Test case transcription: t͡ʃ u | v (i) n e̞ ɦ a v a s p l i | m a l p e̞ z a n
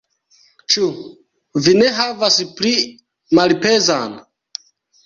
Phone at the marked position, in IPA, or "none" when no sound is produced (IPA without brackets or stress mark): i